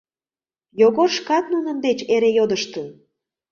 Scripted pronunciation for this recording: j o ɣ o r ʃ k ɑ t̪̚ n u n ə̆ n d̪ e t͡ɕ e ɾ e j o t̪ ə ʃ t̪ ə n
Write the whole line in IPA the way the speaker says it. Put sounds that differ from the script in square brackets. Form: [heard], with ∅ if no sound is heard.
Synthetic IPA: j o ɣ o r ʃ k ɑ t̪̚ n u n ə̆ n d̪ e t͡ɕ e ɾ e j o [d̪] ə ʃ t̪ ə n

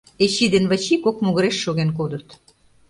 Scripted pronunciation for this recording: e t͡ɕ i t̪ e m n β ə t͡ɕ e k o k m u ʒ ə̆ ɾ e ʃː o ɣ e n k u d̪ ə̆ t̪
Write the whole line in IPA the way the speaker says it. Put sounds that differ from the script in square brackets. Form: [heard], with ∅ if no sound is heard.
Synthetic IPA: e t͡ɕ i [d̪] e [∅] n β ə t͡ɕ [i] k o k m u [ɣ] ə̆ ɾ e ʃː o ɣ e n k [o] d̪ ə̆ t̪

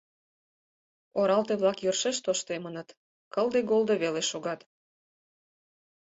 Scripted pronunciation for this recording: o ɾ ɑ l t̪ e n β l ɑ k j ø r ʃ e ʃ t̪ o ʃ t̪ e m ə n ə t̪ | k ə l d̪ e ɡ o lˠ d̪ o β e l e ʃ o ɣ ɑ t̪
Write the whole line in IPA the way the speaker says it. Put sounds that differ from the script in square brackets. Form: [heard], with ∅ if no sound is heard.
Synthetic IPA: o ɾ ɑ l t̪ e [∅] β l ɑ k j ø r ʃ e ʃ t̪ o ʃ t̪ e m ə n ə t̪ | k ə l d̪ e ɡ o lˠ d̪ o β e l e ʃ o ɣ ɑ t̪

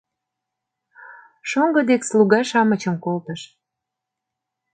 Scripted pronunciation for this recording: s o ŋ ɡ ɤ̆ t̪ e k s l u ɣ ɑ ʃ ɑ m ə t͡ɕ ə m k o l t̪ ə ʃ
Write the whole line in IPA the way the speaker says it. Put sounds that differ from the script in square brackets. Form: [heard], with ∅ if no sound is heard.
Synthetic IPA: [ʃ] o ŋ ɡ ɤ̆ [d̪] e k s l u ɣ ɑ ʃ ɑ m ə t͡ɕ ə m k o l t̪ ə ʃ

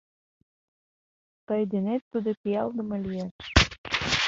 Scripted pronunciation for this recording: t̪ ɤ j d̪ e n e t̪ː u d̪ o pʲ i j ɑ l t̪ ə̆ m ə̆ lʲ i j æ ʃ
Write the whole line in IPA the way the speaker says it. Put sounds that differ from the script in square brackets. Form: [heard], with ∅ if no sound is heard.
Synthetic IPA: t̪ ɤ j d̪ e n e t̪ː u d̪ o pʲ i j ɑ l [d̪] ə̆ m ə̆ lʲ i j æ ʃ

